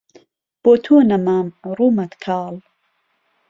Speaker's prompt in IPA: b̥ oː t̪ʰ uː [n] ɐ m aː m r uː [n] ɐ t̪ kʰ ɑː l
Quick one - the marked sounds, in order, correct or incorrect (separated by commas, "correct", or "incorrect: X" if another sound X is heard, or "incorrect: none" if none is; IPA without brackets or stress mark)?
correct, incorrect: m